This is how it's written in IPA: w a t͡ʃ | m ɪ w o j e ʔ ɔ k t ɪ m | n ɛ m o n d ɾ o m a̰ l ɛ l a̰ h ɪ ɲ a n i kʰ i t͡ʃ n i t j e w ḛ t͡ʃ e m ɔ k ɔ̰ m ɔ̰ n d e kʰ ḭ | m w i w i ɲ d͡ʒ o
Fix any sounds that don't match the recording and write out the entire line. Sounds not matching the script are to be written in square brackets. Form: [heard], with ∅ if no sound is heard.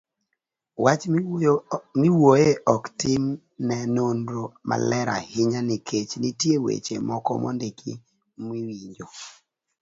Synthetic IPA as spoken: w a t͡ʃ | m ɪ w o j e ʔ ɔ k t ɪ m | n ɛ [n] o n d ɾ o m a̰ l ɛ [ɾ] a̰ h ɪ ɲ a n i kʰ [e] t͡ʃ n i t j e w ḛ t͡ʃ e m ɔ k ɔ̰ m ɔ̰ n d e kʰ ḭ | m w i w i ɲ d͡ʒ o